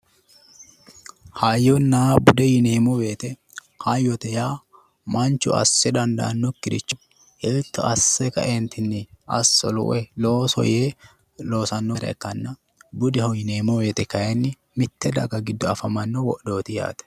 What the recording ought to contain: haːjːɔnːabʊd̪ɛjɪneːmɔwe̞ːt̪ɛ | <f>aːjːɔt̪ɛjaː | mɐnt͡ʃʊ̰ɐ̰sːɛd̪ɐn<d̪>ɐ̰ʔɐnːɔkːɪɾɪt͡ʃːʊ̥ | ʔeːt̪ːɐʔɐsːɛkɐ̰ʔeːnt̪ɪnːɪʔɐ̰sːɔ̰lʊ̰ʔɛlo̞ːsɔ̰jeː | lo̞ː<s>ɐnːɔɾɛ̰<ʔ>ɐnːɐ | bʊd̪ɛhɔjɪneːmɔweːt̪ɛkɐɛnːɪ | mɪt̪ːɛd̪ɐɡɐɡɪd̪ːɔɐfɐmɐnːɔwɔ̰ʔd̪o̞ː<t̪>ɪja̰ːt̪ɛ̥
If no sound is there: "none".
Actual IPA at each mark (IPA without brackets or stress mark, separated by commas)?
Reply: h, d̪, s, k, t̪